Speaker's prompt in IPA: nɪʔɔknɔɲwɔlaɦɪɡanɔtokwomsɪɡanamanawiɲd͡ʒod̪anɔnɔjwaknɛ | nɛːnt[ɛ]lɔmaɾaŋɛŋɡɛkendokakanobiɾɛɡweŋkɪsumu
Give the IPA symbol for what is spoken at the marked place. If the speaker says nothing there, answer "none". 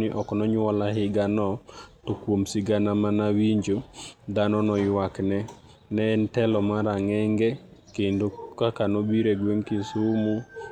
ɛ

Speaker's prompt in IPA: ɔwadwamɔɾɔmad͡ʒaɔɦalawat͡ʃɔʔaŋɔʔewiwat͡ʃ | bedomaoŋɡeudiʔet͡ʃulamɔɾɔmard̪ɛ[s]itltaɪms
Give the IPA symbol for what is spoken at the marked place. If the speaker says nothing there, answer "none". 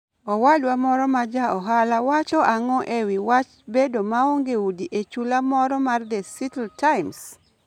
s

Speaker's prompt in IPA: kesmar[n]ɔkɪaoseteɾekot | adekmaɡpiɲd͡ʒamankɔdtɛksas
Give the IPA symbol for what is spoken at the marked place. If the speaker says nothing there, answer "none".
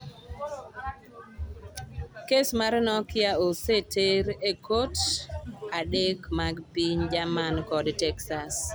n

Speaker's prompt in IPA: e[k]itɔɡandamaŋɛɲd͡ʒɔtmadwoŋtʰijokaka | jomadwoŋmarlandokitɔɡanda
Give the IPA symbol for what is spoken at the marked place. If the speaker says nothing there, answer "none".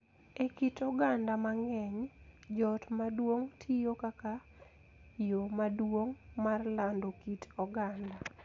k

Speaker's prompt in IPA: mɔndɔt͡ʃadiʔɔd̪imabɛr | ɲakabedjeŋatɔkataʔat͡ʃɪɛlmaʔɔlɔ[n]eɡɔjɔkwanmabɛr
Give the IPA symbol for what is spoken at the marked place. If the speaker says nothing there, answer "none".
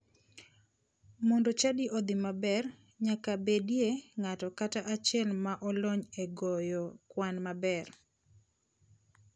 ɲ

